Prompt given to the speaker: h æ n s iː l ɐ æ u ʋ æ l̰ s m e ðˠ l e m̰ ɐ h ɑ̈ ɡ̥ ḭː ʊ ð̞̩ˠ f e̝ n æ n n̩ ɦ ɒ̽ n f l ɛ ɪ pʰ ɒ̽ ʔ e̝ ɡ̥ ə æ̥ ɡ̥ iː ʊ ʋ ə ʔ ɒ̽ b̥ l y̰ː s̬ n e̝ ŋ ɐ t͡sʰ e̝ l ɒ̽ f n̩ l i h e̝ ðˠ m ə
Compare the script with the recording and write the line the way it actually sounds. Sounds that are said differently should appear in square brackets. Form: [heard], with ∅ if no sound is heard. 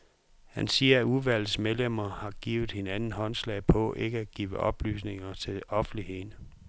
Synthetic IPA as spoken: h æ n s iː [∅] ɐ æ u ʋ æ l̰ s m e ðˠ l e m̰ ɐ h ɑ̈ ɡ̥ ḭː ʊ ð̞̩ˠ [h] e̝ n æ n n̩ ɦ ɒ̽ n [s] l ɛ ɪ pʰ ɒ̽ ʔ e̝ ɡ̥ ə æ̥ ɡ̥ iː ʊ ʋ ə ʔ ɒ̽ b̥ l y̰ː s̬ n e̝ ŋ ɐ t͡sʰ e̝ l ɒ̽ f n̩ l i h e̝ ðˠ [n] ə